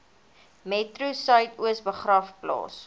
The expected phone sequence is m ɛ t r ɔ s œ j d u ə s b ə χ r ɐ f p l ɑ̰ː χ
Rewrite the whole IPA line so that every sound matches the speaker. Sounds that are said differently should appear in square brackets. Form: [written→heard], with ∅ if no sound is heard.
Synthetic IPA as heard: m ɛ t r [ɔ→u] s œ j [d→t] u ə s b ə χ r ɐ f p l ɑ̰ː [χ→s]

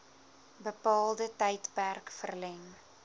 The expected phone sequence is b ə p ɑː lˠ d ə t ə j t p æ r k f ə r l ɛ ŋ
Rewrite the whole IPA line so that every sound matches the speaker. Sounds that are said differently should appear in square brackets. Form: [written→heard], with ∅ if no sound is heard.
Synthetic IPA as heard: b ə p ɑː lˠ d ə t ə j t p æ r k f ə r l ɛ ŋ

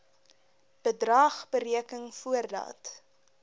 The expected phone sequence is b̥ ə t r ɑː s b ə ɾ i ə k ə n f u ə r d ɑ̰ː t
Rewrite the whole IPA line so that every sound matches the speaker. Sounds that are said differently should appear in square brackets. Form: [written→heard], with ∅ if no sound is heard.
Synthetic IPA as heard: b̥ ə [t→d] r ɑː [s→χ] b ə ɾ i ə k ə [n→ŋ] f u ə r d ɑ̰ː t

